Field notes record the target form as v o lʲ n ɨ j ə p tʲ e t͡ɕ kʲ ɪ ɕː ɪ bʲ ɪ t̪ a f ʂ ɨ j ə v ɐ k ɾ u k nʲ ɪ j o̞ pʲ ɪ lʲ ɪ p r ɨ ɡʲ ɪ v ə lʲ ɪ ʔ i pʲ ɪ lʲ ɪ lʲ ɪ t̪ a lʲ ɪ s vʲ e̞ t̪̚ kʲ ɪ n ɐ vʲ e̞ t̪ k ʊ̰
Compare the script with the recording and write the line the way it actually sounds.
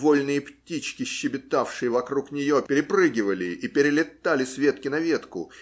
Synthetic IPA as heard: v o lʲ n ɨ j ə p tʲ i t͡ɕ kʲ ɪ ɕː ɪ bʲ ɪ t̪ a f ʂ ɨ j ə v ɐ k ɾ u k nʲ ɪ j o̞ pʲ ɪ ɾʲ ɪ p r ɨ ɡʲ ɪ v ə lʲ ɪ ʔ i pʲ ɪ ɾʲ ɪ lʲ ɪ t̪ a lʲ ɪ s vʲ e̞ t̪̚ kʲ ɪ n ɐ vʲ e̞ t̪ k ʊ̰